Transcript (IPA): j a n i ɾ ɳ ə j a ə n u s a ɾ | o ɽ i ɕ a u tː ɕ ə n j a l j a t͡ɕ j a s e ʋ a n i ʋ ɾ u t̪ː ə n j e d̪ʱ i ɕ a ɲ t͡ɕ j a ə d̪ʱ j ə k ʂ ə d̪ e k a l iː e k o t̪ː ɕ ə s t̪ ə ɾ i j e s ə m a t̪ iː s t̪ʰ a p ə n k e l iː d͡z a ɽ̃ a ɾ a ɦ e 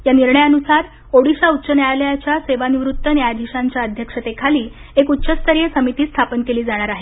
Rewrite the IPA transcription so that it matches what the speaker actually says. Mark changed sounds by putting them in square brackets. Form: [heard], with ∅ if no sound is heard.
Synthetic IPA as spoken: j a n i ɾ ɳ ə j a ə n u s a ɾ | o ɽ i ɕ a u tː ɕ ə n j a l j a t͡ɕ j a s e ʋ a n i ʋ ɾ u t̪ː ə n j [a] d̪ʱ i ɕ a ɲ t͡ɕ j a ə d̪ʱ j ə k ʂ ə [t̪] e [kʰ] a l iː e k [u] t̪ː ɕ ə s t̪ ə ɾ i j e s ə m [i] t̪ iː s t̪ʰ a p ə n k e l iː d͡z a ɽ̃ a ɾ a ɦ e